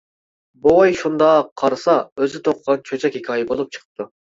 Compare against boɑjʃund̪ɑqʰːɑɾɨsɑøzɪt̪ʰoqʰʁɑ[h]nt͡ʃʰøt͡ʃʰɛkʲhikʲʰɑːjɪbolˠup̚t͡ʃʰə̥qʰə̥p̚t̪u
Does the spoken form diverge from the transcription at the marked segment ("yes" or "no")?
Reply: yes